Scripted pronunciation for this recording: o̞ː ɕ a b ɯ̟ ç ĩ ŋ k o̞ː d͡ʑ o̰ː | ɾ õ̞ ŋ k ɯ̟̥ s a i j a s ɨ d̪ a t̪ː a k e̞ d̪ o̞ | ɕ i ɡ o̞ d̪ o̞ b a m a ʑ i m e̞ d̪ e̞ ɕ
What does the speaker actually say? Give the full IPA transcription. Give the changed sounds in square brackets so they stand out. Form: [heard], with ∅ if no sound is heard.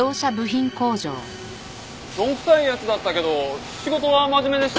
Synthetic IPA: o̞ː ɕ a b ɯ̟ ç ĩ ŋ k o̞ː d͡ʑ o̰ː | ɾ õ̞ ŋ k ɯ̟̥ s a i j a [t͡s] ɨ d̪ a t̪ː a k e̞ d̪ o̞ | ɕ i ɡ o̞ [t̪] o̞ [β] a m a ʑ i m e̞ d̪ e̞ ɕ